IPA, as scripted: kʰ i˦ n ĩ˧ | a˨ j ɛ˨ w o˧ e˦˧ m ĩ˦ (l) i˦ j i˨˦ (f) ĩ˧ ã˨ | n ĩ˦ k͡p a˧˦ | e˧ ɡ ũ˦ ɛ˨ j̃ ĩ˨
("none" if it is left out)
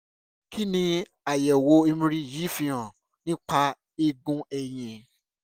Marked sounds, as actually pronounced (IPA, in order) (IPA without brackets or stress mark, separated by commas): ɾ, f